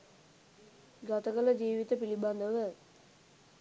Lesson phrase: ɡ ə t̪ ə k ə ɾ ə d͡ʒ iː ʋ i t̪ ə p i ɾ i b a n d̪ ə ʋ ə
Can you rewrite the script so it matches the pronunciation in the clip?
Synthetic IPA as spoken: ɡ a t̪ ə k ə l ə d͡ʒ iː ʋ i t̪ ə p i l i b a n d̪ ə ʋ ə